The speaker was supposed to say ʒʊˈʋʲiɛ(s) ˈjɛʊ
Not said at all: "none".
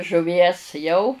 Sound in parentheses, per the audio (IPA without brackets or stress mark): s